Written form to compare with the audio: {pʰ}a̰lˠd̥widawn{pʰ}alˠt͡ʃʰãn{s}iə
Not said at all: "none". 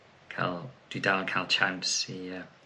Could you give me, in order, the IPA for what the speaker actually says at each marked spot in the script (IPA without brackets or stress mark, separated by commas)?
kʰ, kʰ, s